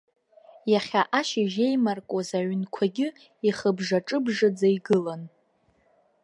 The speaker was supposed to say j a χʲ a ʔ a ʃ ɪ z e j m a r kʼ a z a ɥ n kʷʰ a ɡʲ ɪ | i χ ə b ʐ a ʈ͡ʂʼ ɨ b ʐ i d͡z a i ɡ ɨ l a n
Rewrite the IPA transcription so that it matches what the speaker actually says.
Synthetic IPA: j a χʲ a ʔ a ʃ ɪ ʒ e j m a r kʼ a z a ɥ n kʷʰ a ɡʲ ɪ | i χ ə b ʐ a ʈ͡ʂʼ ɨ b ʐ a d͡z a i ɡ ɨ l a n